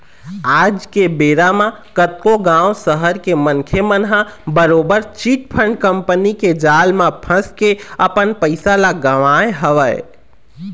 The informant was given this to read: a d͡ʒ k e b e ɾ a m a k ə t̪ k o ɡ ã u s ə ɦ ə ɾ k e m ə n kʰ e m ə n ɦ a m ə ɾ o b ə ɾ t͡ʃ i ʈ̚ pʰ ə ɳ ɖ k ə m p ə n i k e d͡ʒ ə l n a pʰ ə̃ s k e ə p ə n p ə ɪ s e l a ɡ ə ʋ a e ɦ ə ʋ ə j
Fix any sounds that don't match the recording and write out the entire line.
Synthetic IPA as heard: a d͡ʒ k e b e ɾ a m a k ə t̪ k o ɡ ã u s ə ɦ ə ɾ k e m ə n kʰ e m ə n ɦ a b ə ɾ o b ə ɾ t͡ʃ i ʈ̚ pʰ ə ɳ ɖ k ə m p ə n i k e d͡ʒ a l m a pʰ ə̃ s k e ə p ə n p ə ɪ s a l a ɡ ə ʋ a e ɦ ə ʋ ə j